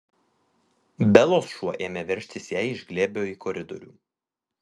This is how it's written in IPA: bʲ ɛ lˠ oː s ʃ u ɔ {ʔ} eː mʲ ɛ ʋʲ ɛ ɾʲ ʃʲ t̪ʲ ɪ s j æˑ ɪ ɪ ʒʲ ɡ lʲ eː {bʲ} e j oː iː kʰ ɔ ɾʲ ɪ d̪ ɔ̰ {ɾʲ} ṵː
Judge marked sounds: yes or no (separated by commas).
yes, yes, yes